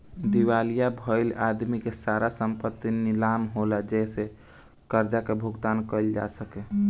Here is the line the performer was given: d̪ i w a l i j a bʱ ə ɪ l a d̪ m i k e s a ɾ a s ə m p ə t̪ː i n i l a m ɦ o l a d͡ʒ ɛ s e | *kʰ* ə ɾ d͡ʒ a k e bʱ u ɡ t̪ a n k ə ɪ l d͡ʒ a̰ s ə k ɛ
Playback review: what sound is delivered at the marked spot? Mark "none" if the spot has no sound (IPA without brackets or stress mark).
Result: k